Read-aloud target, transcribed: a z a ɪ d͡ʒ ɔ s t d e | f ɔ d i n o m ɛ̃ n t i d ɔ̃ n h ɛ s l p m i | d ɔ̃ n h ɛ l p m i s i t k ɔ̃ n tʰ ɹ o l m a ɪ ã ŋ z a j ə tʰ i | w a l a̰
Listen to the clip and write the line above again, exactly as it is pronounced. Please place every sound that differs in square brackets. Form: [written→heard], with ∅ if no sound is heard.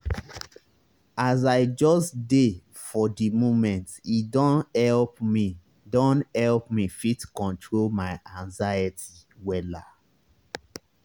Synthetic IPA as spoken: a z a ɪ d͡ʒ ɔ s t d e | f ɔ d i [n→m] o m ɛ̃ n t i d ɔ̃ n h ɛ [s→∅] l p m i | d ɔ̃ n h ɛ l p m i [s→f] i t k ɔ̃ n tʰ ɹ o l m a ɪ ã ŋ z a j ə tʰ i | w [a→ɛ] l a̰